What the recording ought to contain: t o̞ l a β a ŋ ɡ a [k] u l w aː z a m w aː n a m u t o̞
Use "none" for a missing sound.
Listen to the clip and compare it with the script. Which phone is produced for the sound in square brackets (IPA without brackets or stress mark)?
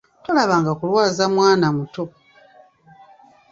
k